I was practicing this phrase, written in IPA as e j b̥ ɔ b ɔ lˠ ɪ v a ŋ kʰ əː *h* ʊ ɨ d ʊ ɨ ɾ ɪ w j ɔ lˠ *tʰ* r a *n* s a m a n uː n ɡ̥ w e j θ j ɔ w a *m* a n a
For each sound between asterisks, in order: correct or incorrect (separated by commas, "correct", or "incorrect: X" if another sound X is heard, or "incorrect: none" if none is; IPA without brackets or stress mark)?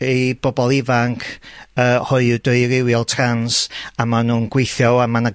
correct, correct, correct, correct